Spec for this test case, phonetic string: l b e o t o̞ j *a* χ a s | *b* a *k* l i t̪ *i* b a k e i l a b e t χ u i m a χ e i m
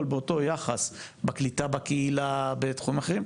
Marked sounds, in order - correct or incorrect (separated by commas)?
correct, correct, correct, incorrect